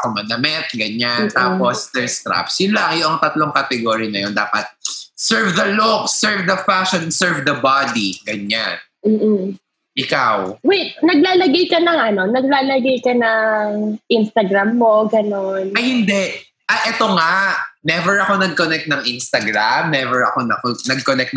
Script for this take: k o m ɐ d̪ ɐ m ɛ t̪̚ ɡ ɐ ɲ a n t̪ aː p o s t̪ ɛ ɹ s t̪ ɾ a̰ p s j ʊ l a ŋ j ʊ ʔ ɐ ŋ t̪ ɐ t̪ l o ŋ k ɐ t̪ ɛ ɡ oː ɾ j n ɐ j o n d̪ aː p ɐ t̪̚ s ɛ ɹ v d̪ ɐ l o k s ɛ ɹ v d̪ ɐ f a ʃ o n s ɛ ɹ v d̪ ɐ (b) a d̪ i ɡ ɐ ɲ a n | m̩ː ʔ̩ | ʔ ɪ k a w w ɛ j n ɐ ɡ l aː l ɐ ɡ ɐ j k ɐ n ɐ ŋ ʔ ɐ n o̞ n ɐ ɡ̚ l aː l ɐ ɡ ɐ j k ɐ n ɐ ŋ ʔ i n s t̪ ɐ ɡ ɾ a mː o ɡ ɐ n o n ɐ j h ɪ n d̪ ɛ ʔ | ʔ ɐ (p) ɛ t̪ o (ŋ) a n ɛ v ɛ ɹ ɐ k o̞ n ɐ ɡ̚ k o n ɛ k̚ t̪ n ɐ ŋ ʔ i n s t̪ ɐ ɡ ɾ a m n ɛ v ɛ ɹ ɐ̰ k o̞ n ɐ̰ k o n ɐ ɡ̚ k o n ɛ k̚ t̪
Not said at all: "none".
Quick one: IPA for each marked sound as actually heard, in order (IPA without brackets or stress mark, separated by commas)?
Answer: b, ʔ, ŋ